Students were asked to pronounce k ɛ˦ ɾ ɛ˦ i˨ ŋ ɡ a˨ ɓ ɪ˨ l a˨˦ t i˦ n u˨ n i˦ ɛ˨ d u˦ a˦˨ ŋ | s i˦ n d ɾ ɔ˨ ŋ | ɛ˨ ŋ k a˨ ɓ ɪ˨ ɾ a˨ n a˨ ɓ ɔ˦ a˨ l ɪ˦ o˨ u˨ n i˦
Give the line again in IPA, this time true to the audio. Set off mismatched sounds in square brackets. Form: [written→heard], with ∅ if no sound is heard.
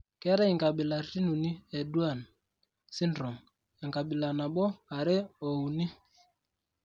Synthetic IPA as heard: k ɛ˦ ɾ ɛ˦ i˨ ŋ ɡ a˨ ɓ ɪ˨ l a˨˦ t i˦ n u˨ n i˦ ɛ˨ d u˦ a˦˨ [ŋ→n] | s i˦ n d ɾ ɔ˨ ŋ | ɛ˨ ŋ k a˨ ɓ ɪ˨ [ɾ→l] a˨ n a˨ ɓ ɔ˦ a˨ [l→ɾ] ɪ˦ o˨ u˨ n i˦

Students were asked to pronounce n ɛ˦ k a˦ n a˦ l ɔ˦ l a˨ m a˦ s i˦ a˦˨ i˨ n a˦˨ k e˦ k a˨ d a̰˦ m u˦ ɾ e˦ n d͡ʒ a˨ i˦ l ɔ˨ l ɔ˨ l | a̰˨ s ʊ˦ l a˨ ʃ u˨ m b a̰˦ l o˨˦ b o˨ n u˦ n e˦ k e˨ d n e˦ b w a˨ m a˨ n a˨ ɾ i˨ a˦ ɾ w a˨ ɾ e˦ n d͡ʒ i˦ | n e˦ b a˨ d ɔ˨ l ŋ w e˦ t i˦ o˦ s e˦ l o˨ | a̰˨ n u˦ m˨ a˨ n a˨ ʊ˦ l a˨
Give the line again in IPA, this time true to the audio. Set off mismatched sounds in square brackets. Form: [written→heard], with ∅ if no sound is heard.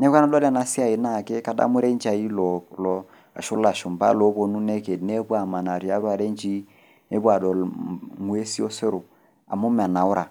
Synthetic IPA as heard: n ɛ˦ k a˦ n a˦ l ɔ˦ l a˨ [m→n] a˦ s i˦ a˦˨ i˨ n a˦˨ k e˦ k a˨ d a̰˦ m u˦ ɾ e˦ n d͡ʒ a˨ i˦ l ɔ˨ l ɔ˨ [l→∅] | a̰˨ [s→ʃ] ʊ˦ l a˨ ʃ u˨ m b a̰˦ l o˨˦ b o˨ n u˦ n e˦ k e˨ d n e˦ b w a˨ m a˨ n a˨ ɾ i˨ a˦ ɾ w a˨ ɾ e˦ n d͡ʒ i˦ | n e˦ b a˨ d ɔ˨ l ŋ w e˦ [t→s] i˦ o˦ s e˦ [l→ɾ] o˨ | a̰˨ [n→m] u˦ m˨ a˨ n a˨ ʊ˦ [l→ɾ] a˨

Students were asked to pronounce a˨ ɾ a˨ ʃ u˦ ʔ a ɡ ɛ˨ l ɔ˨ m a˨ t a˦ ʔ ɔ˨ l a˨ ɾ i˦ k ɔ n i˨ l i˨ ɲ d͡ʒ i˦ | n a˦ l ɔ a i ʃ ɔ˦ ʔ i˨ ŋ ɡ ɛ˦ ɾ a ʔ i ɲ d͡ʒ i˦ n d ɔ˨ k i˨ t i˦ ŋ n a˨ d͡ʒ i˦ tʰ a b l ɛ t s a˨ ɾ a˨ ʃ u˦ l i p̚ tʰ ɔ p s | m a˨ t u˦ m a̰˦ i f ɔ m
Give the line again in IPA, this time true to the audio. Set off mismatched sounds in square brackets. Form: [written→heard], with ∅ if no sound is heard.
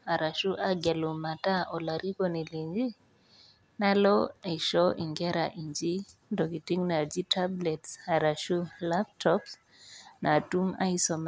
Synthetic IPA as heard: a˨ ɾ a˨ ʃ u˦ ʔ a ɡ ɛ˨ l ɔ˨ m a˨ t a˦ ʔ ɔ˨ l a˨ ɾ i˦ k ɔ n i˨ l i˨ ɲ d͡ʒ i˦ | n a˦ l ɔ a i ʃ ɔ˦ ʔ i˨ ŋ ɡ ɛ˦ ɾ a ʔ i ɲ d͡ʒ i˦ n d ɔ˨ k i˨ t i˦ ŋ n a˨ d͡ʒ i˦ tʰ a b l ɛ t s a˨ ɾ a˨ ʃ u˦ l [i→a] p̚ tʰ ɔ p s | [m→n] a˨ t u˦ m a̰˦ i [f→s] ɔ m

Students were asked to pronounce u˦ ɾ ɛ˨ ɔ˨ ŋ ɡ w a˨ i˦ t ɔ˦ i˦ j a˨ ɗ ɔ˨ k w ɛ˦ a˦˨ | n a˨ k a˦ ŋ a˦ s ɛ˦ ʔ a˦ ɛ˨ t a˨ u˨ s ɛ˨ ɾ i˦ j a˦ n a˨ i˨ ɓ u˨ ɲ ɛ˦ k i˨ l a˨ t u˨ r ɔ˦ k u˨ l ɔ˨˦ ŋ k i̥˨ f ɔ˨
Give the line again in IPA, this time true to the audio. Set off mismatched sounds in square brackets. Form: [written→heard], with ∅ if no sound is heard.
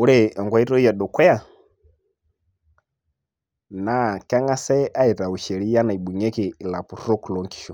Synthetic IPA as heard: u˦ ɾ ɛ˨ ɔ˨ ŋ ɡ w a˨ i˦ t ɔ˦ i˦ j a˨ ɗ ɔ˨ k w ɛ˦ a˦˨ | n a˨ k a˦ ŋ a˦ s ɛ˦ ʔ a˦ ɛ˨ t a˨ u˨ [s→ʃ] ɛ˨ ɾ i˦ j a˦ n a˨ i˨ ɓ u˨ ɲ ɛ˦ k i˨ l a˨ [t→p] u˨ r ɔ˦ k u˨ l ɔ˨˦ ŋ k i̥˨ [f→ʃ] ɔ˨

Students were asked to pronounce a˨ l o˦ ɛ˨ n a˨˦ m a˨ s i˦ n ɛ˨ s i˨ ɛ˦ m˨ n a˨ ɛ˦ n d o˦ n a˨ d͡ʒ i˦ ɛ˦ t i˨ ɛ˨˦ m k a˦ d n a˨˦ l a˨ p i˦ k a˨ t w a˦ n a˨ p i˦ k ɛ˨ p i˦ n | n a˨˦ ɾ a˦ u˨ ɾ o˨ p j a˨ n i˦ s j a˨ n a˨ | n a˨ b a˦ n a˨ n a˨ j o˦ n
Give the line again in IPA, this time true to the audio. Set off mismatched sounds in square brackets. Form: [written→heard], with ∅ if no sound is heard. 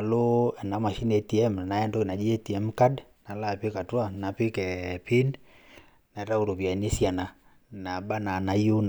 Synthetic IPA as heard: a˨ l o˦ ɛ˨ n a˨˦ m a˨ [s→ʃ] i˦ n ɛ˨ [s→t] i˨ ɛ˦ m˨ n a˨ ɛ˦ n d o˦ n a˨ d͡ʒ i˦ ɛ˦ t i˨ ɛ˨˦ m k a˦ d n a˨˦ l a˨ p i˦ k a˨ t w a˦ n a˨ p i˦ k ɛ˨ p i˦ n | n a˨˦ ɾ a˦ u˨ ɾ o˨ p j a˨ n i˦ s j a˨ n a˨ | n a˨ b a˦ n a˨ n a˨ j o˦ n

